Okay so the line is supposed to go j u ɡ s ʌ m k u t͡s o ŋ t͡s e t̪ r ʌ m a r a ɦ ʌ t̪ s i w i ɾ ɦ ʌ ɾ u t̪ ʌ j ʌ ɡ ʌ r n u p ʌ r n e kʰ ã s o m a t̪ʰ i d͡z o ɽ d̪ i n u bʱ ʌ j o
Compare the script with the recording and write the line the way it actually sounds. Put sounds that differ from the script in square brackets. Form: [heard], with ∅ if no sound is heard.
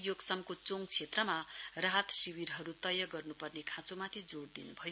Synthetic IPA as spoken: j [o] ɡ s ʌ m k [o] t͡s o ŋ [t͡sʰ] e t̪ r ʌ m a r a ɦ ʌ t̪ s i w i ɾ ɦ ʌ ɾ u t̪ ʌ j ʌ ɡ ʌ r n u p ʌ r n e kʰ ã [t͡s] o m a t̪ʰ i d͡z o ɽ d̪ i n u bʱ ʌ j o